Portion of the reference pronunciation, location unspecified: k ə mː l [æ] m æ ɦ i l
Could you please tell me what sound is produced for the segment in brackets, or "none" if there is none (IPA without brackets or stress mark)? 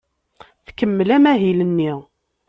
æ